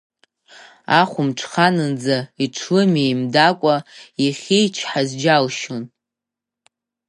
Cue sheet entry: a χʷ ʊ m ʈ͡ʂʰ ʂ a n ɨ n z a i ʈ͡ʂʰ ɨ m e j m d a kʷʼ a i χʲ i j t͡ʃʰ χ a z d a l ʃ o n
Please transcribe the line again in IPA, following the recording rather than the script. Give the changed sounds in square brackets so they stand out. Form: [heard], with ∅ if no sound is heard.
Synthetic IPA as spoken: a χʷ ʊ m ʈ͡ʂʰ [χ] a n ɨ n [d͡z] a i ʈ͡ʂʰ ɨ m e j m d a kʷʼ a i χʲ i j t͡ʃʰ [ħ] a z [d͡ʒ] a l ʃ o n